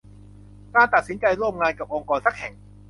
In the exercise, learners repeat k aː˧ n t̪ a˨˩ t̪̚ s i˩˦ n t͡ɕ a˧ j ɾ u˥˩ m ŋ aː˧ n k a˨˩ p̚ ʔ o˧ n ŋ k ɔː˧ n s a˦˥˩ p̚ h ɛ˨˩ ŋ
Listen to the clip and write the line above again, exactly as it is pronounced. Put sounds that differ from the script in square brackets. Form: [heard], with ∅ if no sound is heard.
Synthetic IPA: k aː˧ n t̪ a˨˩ t̪̚ s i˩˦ n t͡ɕ a˧ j ɾ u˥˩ m ŋ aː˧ n k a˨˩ p̚ ʔ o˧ [∅] ŋ k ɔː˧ n s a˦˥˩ [k̚] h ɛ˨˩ ŋ